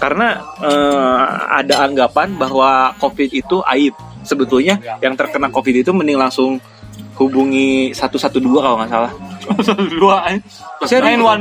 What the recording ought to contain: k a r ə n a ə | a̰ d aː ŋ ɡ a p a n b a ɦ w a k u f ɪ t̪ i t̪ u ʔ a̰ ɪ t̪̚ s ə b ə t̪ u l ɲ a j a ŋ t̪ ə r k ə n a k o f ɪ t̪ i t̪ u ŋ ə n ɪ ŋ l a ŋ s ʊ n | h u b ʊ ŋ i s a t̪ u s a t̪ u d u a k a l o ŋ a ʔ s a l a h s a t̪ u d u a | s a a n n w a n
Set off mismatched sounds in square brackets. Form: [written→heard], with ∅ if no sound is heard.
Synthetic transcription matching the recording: k a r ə n a ə | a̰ d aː ŋ ɡ a p a n b a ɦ w a k [u→o] f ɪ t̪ i t̪ u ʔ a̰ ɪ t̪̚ s ə b ə t̪ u l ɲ a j a ŋ t̪ ə r k ə n a k o f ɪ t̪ i t̪ u [ŋ→m] ə n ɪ ŋ l a ŋ s ʊ [n→ŋ] | h u b [ʊ→u] ŋ i s a t̪ u s a t̪ u d u a k a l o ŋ a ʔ s a l a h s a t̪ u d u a | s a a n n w a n